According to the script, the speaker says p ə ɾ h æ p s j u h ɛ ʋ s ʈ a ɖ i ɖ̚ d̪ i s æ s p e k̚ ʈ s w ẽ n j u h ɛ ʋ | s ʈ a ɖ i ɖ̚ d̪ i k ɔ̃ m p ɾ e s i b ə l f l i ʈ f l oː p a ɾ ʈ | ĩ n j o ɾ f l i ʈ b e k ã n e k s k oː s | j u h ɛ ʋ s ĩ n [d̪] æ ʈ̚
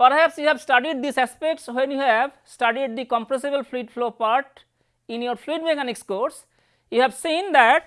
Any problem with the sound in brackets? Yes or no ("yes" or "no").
no